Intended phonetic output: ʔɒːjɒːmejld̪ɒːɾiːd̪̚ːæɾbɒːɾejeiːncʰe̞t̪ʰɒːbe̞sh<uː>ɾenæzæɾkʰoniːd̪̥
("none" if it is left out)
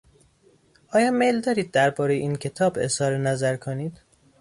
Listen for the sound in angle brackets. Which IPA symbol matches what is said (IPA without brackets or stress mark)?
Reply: ɒː